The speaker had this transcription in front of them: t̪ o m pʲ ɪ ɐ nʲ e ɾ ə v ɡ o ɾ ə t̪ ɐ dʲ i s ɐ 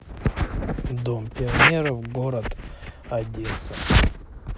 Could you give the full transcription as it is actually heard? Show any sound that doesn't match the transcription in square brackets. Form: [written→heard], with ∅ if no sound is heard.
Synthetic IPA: [t̪→d̪] o m pʲ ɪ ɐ nʲ e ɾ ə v ɡ o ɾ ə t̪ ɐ dʲ [i→e] s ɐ